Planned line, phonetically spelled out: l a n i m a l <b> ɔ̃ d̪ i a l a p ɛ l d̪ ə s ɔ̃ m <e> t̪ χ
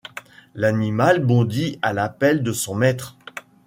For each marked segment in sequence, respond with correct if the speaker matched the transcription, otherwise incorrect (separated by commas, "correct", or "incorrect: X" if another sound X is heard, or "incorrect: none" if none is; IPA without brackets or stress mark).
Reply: correct, incorrect: ɛ